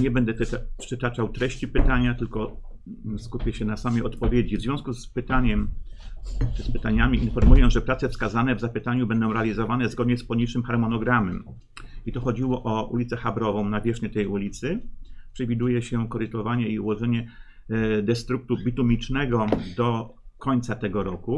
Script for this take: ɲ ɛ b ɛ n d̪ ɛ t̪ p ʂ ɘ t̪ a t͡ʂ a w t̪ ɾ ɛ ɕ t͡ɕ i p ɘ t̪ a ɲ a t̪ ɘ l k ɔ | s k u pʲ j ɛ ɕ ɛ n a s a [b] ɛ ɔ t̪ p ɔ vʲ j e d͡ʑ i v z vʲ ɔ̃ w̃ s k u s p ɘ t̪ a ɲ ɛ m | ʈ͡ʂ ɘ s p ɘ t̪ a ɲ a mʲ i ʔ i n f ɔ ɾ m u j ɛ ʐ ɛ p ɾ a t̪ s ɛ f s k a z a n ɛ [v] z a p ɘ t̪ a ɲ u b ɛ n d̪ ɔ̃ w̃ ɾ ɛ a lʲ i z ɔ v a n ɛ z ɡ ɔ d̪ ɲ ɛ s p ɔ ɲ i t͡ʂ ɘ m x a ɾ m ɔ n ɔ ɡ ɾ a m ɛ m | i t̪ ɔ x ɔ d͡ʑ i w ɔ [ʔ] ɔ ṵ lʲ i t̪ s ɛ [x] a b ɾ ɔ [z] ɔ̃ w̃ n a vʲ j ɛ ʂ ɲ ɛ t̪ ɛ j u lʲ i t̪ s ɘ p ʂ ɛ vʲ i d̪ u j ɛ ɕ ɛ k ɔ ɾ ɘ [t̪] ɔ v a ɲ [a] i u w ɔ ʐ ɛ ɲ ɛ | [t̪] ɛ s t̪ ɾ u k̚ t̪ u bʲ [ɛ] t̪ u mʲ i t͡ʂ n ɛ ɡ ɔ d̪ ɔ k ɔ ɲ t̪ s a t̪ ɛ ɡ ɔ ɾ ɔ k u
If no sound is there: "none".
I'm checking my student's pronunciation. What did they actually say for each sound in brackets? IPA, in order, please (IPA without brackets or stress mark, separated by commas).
m, v, ʔ, x, v, t̪, ɛ, d̪, i